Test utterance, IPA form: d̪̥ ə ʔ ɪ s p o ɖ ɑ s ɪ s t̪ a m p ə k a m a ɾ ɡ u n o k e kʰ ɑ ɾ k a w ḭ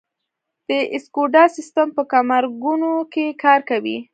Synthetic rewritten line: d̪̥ ə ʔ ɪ s k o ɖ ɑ s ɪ s t̪ a m p ə k a m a ɾ ɡ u n o k e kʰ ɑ ɾ k a w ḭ